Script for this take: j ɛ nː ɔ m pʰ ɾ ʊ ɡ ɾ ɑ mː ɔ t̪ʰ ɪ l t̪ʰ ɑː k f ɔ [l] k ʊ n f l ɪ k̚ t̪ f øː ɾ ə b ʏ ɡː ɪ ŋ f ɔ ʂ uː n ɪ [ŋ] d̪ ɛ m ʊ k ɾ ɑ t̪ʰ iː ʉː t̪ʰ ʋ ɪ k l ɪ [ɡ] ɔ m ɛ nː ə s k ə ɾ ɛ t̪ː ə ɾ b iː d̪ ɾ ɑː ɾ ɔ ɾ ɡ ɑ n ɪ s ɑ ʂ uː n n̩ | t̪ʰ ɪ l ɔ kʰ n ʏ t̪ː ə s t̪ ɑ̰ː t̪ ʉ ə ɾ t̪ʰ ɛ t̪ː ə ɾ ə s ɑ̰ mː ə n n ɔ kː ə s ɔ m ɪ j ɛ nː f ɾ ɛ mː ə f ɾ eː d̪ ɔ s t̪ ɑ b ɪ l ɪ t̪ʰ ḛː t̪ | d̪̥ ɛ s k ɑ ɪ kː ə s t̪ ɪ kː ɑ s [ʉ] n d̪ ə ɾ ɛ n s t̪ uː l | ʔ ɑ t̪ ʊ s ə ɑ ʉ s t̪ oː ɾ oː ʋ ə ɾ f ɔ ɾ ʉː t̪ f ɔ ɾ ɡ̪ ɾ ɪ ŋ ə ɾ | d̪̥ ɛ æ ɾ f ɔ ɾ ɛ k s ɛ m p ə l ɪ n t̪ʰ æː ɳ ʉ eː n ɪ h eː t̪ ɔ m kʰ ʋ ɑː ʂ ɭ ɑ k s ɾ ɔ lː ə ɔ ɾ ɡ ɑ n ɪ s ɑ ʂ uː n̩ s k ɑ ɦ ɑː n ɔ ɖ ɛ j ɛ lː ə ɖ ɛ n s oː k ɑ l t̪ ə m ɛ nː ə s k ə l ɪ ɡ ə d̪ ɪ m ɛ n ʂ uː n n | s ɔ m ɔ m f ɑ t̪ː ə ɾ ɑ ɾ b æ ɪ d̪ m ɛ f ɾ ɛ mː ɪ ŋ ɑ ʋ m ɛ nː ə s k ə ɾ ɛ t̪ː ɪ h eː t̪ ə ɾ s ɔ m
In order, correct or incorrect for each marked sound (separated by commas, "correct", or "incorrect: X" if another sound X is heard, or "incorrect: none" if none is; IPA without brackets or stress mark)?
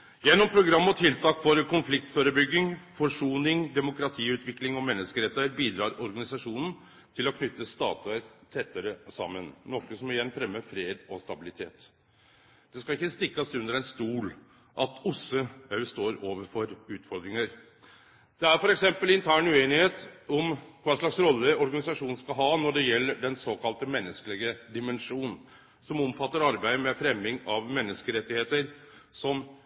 incorrect: ɾ, correct, incorrect: ŋ, correct